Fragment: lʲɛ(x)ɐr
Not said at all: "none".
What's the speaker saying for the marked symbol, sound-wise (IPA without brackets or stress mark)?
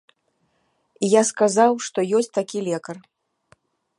k